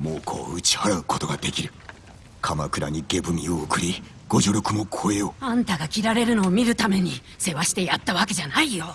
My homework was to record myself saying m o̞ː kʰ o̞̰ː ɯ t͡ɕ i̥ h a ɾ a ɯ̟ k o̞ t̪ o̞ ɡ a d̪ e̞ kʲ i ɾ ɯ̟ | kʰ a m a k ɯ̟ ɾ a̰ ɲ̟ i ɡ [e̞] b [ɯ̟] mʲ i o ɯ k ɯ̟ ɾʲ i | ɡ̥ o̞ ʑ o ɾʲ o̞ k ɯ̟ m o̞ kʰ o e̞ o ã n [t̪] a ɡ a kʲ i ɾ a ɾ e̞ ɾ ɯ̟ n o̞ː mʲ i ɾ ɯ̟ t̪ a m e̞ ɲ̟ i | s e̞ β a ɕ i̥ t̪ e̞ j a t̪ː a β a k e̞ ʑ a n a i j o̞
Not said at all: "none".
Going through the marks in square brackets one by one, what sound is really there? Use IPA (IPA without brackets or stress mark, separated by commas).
e̞, ɯ̟, t̪